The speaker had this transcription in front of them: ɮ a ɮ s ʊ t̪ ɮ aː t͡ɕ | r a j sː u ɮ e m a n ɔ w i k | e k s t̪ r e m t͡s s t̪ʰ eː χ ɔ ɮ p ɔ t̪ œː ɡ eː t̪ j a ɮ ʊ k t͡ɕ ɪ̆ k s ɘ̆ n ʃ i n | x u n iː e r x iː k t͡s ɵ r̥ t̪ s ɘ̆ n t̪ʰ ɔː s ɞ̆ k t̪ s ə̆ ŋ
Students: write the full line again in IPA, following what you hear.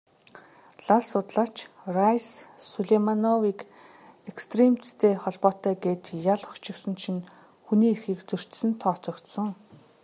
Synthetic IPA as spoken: ɮ a ɮ s ʊ t̪ ɮ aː t͡ɕ | r a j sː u ɮ e m a n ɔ w i k | e k s t̪ r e m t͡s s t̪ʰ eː χ ɔ ɮ p ɔː t̪ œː ɡ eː t̪ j a ɮ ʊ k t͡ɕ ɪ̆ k s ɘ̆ n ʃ i n | x u n iː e r x iː k t͡s ɵ r̥ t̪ s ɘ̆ n t̪ʰ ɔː t͡s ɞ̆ k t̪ s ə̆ ŋ